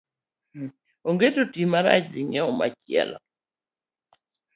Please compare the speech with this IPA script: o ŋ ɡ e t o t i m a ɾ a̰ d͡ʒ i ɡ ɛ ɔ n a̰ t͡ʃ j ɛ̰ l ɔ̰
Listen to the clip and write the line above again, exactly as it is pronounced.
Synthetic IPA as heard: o ŋ ɡ e t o t i m a ɾ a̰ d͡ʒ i ŋ ɛ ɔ m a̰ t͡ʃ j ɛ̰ l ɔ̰